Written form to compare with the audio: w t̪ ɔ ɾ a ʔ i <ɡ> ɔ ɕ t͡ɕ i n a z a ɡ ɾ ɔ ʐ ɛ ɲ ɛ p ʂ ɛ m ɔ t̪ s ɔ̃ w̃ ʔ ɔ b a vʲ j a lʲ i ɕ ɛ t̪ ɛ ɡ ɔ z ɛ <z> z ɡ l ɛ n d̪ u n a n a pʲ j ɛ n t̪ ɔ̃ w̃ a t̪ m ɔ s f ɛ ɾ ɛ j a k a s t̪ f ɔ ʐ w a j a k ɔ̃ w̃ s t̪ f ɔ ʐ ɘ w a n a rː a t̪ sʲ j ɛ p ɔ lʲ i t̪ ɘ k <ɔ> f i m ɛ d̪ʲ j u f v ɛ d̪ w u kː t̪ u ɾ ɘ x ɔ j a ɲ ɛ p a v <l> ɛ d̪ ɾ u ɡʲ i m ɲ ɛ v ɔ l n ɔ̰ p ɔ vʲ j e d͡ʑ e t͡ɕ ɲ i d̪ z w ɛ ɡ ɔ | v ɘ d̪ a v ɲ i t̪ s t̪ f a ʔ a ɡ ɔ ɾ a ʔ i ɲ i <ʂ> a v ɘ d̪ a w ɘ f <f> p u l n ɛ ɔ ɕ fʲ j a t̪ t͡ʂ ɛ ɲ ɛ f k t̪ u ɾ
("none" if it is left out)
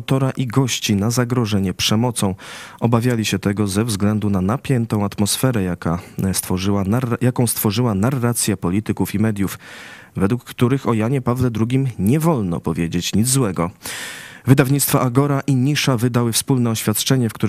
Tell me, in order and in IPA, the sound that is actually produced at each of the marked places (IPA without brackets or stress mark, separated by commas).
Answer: ɡ, v, u, l, ʂ, s